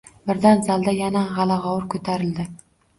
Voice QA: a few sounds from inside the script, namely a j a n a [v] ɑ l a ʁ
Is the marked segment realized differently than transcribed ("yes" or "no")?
yes